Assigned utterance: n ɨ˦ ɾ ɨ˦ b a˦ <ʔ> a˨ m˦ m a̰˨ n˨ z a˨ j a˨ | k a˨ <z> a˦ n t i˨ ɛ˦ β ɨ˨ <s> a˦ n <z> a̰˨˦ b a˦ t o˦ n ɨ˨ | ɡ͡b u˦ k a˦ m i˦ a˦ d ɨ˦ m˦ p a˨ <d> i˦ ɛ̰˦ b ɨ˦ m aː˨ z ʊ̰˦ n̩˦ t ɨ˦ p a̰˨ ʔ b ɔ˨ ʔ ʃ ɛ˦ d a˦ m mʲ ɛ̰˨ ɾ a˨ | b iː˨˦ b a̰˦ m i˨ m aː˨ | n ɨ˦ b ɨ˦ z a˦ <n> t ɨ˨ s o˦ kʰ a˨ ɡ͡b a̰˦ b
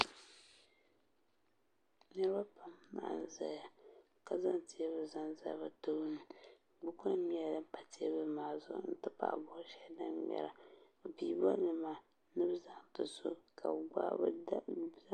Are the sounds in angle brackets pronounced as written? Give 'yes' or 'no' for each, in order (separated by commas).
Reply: no, yes, no, yes, no, no